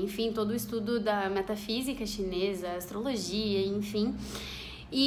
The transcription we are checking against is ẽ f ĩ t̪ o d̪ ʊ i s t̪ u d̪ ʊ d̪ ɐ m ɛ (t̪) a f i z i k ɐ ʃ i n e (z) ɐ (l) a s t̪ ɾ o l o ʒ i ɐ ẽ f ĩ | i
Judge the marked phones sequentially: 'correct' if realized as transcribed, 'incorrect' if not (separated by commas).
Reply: correct, correct, incorrect